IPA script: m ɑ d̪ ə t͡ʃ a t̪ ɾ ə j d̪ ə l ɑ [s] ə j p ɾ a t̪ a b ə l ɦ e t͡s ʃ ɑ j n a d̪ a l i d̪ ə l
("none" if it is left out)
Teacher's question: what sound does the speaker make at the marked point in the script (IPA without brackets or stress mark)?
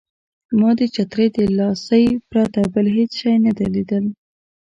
s